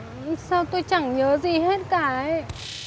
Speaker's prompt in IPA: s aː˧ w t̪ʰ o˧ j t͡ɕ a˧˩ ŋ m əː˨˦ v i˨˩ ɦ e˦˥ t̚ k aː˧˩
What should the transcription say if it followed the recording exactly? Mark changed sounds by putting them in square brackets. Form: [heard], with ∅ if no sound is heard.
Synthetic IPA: s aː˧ w [t̪] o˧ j t͡ɕ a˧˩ ŋ [ɲ] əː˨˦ [z] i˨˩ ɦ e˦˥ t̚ k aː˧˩